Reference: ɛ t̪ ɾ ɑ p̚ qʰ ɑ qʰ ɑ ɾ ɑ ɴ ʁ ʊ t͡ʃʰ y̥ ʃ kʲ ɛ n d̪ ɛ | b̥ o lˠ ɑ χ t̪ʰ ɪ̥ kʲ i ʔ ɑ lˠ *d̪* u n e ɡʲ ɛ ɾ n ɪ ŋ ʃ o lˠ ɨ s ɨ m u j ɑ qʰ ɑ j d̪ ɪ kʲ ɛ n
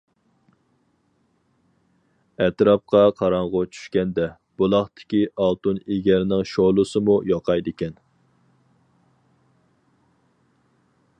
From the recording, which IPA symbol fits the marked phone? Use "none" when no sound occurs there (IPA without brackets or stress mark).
t̪